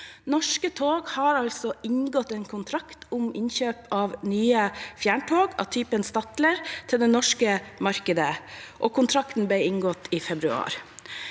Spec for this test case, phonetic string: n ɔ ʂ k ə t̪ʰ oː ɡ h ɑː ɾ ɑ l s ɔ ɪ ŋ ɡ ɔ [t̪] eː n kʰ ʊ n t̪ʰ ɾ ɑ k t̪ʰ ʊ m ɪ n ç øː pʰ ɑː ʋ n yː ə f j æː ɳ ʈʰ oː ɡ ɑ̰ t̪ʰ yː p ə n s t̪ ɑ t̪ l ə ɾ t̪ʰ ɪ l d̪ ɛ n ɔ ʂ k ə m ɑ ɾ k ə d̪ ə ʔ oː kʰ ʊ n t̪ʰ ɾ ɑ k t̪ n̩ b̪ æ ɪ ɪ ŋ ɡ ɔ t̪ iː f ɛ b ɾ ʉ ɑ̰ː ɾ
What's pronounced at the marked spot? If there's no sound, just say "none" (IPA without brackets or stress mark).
t̪